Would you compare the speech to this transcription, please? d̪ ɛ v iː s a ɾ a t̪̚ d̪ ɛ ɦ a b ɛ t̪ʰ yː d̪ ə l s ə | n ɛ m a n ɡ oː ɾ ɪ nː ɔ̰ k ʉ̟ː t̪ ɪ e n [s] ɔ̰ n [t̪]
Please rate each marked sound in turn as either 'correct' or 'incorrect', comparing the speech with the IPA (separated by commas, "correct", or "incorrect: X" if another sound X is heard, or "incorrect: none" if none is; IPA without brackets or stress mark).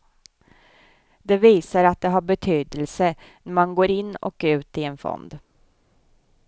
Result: incorrect: f, incorrect: d̪